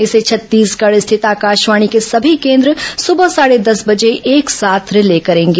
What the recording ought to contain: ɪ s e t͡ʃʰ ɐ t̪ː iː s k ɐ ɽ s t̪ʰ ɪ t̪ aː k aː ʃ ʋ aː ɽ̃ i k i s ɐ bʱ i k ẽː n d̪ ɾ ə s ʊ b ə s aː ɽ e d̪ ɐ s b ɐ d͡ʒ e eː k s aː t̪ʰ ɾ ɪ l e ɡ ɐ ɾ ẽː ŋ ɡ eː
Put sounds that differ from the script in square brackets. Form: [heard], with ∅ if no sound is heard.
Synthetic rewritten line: ɪ s e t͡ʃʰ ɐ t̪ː iː s k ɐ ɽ s t̪ʰ ɪ t̪ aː k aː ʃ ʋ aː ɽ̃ i k [e] s ɐ bʱ i k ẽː n d̪ ɾ ə s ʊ b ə s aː ɽ e d̪ ɐ s b ɐ d͡ʒ e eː k s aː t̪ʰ ɾ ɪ l e [k] ɐ ɾ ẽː ŋ ɡ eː